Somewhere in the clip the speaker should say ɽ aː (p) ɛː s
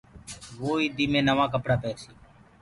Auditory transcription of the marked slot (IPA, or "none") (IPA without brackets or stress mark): p